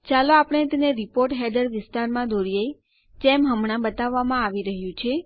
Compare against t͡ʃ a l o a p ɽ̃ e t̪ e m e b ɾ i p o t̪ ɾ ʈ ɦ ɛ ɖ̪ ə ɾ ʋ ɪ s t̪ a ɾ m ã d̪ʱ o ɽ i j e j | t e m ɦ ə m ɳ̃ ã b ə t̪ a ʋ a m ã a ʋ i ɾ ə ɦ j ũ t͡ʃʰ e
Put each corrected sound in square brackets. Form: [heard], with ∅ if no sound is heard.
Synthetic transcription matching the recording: t͡ʃ a l o a p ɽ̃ e t̪ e [n] e [∅] ɾ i p o [∅] ɾ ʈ ɦ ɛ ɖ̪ ə ɾ ʋ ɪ s t̪ a ɾ m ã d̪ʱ o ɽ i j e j | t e m ɦ ə m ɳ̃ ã b ə t̪ a [ʋː] a m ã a ʋ i ɾ ə ɦ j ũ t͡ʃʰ e